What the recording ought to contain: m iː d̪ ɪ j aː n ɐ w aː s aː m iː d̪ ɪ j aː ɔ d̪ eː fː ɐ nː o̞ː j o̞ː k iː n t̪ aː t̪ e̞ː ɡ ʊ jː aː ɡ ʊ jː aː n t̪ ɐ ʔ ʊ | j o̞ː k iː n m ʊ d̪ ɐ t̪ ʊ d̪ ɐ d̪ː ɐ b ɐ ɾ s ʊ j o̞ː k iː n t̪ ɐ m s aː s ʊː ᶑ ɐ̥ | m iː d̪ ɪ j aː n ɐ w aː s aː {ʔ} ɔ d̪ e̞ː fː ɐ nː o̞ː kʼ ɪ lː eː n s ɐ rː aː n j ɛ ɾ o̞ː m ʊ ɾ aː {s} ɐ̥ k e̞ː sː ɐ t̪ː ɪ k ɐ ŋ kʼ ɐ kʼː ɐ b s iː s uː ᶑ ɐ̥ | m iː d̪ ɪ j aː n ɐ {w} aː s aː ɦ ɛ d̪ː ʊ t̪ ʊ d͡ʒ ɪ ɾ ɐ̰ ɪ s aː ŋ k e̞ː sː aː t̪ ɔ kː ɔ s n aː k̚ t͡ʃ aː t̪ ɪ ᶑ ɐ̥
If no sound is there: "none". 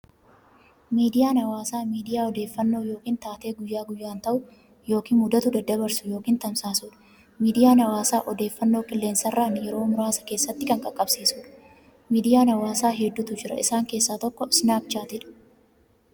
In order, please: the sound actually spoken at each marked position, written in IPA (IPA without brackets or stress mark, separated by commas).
ʔ, s, w